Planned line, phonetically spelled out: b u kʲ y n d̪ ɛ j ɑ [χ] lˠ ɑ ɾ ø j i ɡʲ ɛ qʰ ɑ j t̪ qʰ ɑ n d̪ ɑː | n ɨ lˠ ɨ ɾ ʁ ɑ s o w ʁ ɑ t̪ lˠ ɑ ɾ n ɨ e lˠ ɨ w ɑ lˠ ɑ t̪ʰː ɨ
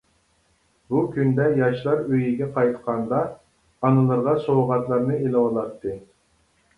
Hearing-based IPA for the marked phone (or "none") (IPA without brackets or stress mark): ʃ